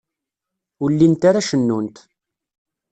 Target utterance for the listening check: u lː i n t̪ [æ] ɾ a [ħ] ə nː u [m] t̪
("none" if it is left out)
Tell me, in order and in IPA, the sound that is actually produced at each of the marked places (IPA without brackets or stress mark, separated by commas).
a, ʃ, n